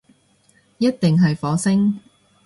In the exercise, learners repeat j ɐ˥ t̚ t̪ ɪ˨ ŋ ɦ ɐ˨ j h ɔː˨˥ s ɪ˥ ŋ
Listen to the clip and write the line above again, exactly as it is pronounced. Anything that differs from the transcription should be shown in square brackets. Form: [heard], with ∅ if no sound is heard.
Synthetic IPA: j ɐ˥ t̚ t̪ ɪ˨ ŋ ɦ ɐ˨ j [f] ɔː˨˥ s ɪ˥ ŋ